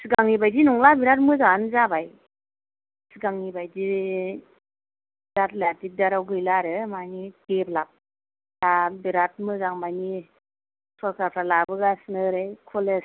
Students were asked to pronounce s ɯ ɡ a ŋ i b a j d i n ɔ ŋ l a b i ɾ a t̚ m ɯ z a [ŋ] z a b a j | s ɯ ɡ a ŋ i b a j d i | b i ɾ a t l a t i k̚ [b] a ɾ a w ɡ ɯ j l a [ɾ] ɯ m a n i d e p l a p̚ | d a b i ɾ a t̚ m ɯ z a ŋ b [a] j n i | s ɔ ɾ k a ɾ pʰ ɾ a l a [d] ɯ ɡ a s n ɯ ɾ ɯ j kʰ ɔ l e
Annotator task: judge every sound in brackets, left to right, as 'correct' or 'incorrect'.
incorrect, incorrect, correct, correct, incorrect

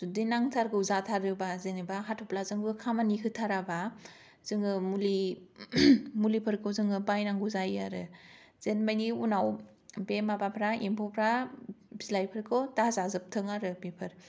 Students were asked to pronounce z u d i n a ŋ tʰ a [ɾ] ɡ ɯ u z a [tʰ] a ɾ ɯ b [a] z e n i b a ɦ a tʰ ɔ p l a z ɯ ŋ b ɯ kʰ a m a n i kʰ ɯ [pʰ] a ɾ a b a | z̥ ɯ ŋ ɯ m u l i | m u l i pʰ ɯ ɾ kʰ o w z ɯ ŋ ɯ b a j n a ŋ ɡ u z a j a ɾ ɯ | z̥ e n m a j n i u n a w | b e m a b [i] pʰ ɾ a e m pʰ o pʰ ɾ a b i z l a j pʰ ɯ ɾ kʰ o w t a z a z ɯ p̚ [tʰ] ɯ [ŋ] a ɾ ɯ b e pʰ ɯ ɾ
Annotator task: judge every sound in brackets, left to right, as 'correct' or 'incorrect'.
correct, correct, correct, incorrect, incorrect, correct, correct

